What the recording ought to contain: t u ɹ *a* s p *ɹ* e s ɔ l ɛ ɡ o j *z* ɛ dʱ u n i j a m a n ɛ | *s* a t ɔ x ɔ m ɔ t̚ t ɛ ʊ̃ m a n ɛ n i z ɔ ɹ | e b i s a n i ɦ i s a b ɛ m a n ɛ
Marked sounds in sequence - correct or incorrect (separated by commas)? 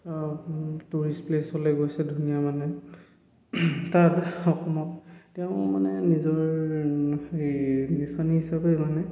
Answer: incorrect, incorrect, incorrect, incorrect